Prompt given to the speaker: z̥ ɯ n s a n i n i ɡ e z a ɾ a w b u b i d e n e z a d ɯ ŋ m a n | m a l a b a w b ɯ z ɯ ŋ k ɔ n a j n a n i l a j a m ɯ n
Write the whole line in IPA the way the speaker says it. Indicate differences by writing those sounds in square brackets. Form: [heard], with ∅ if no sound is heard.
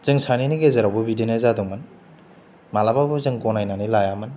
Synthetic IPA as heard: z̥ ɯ [ŋ] s a n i n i ɡ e z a ɾ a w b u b i d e n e z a d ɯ ŋ m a n | m a l a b a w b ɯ z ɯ ŋ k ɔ n a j n a n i l a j a m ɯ n